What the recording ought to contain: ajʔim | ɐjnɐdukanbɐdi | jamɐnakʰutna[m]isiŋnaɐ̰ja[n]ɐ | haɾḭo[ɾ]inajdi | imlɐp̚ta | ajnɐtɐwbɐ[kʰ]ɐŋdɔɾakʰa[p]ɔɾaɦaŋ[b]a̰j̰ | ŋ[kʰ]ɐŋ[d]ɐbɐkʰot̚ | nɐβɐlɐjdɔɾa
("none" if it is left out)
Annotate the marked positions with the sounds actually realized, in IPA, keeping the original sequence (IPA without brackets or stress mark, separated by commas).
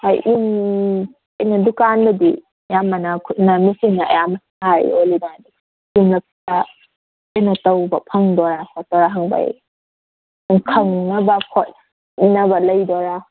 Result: m, m, l, pʰ, t, b, kʰ, n